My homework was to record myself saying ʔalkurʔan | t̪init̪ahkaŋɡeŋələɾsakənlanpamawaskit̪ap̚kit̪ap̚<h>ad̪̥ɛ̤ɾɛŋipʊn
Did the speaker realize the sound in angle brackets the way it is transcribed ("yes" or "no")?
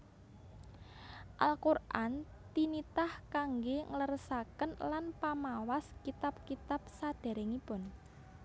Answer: no